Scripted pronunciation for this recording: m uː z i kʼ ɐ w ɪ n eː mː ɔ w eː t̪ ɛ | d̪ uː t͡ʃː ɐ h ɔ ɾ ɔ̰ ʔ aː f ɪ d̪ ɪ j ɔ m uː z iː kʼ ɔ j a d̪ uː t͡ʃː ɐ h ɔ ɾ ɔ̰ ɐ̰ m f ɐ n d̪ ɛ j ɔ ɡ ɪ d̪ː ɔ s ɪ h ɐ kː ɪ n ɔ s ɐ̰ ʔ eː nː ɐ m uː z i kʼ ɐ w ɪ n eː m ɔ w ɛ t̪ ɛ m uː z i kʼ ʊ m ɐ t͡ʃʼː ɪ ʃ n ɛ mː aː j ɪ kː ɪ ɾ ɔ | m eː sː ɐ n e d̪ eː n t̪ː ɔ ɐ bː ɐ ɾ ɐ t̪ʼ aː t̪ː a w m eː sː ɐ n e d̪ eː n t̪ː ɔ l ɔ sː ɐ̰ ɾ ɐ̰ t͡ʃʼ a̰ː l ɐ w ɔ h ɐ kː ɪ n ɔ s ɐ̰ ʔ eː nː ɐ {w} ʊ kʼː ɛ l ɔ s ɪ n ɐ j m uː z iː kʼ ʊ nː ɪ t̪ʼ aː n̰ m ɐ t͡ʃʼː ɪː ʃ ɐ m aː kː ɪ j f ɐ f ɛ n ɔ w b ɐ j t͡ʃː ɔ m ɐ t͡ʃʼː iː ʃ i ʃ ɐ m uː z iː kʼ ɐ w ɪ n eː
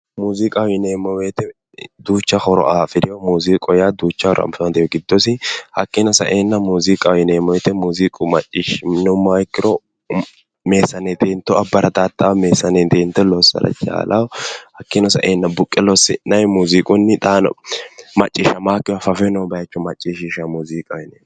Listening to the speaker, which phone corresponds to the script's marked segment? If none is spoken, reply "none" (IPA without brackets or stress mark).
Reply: b